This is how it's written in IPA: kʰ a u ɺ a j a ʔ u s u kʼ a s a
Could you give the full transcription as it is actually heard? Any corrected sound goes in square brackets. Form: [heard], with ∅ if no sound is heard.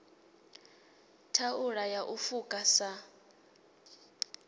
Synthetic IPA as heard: [tʰ] a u ɺ a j a ʔ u [f] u kʼ a s a